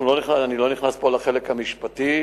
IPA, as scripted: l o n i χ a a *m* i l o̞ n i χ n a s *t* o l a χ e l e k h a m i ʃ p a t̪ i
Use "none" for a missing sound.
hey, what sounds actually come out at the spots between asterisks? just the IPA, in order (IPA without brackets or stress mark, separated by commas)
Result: n, p